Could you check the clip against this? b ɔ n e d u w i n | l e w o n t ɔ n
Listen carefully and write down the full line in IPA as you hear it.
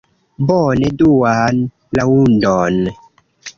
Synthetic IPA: b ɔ n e d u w a n | l a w u n d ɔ n